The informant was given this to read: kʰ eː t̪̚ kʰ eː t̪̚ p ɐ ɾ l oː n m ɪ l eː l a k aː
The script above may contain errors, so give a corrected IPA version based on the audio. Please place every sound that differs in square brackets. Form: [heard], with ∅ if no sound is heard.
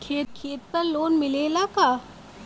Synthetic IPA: kʰ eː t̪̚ kʰ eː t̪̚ p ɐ ɾ l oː n m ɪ l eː l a k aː